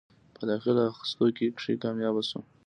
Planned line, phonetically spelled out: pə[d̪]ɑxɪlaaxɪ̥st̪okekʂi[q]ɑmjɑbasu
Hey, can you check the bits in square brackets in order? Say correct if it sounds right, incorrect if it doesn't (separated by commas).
correct, incorrect